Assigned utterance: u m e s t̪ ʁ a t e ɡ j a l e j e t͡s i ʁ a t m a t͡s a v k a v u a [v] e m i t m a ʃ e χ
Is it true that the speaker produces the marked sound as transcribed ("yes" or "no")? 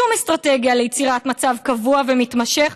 yes